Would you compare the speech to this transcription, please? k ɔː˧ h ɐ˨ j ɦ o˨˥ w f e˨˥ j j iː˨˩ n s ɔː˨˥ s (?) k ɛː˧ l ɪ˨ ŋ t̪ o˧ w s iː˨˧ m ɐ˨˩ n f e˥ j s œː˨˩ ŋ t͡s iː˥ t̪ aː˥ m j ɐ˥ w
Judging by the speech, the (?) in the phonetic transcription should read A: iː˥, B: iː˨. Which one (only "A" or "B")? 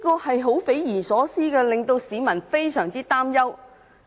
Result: A